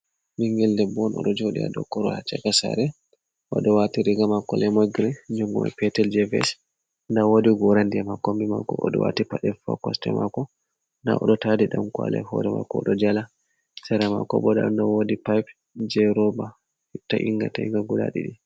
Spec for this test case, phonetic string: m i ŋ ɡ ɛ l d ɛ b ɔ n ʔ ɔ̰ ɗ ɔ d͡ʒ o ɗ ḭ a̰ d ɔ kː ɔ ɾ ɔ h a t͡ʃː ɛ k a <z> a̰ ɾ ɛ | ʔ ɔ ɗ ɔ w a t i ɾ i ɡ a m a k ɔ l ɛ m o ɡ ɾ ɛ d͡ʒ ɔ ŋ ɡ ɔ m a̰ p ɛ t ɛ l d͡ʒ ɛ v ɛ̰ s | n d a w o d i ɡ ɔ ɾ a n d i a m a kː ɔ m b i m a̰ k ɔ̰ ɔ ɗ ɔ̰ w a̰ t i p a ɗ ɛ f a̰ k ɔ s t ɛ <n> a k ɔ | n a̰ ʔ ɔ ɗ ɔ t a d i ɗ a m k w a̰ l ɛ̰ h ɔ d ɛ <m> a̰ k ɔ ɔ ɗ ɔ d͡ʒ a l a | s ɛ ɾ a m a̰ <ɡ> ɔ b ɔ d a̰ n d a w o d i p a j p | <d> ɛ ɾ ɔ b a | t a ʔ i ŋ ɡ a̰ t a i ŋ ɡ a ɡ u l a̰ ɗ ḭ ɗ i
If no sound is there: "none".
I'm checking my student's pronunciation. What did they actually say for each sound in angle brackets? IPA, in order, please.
s, m, m, k, d͡ʒ

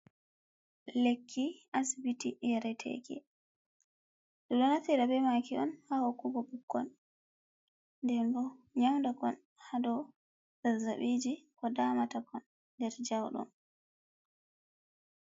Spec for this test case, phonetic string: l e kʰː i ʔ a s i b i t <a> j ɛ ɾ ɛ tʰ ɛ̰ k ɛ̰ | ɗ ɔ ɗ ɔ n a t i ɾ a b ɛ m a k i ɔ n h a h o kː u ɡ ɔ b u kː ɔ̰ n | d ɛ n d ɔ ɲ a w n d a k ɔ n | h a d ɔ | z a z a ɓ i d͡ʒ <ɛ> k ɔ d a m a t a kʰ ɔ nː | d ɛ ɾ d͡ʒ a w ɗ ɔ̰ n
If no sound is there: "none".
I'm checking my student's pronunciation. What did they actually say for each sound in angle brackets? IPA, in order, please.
i, i

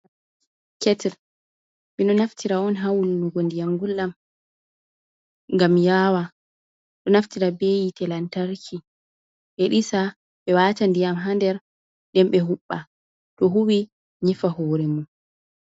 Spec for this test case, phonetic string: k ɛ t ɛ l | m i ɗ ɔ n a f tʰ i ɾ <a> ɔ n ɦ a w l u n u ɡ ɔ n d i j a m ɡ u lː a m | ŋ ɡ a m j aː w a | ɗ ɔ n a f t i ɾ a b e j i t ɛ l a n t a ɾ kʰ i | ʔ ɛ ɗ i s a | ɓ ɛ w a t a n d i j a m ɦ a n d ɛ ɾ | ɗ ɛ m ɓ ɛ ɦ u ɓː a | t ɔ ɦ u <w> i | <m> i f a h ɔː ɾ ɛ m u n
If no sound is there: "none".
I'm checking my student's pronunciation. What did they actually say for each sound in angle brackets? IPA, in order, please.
a, w, ɲ

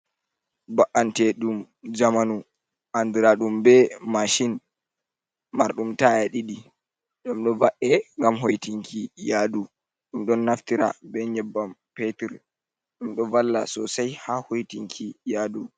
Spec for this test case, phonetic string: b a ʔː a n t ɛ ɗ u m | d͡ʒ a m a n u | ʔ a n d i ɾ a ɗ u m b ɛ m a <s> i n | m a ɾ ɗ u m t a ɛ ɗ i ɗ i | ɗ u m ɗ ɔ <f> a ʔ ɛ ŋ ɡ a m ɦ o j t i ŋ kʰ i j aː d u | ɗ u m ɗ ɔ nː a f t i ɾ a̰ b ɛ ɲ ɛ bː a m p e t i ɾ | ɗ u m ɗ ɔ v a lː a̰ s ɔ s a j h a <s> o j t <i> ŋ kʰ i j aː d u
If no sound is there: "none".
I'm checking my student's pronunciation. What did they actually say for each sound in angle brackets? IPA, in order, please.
ʃ, v, h, i

